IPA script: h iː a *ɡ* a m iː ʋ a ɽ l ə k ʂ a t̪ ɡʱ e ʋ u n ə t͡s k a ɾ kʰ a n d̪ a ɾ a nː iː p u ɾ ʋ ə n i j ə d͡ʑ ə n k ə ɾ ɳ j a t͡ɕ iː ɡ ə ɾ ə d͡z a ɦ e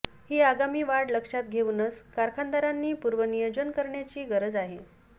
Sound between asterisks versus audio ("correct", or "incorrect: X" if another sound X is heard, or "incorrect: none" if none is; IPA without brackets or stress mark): correct